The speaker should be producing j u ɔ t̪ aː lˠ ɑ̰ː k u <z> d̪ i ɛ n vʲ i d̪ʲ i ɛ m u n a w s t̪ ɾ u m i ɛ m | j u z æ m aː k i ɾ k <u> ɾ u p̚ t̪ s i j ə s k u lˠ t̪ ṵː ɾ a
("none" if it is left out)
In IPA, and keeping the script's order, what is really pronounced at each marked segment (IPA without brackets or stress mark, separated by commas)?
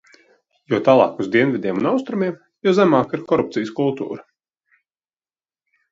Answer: z, ɔ